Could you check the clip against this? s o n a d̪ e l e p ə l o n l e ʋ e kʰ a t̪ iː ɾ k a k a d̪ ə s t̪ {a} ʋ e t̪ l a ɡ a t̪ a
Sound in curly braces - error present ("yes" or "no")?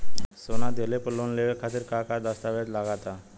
no